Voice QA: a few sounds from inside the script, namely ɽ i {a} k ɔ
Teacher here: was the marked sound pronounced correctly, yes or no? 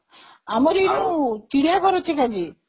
yes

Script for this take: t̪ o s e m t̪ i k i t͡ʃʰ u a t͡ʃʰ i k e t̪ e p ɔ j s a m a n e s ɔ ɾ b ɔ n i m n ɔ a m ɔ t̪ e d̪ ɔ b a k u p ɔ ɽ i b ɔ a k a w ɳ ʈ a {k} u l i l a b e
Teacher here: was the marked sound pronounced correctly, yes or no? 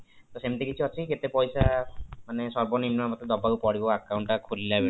no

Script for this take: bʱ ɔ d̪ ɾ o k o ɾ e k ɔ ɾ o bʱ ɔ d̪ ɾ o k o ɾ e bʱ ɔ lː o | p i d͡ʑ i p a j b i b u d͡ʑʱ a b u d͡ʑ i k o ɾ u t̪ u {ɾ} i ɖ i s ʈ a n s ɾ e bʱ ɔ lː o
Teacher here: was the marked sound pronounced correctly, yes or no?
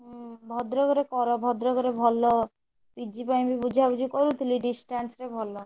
no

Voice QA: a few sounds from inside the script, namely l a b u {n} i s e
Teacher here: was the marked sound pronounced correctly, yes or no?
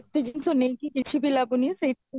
yes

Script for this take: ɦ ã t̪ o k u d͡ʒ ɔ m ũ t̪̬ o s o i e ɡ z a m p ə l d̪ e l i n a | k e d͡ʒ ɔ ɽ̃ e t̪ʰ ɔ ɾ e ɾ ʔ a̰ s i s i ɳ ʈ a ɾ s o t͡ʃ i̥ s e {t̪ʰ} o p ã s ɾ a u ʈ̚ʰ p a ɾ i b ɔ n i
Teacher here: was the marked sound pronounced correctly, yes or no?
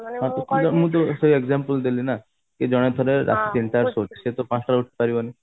no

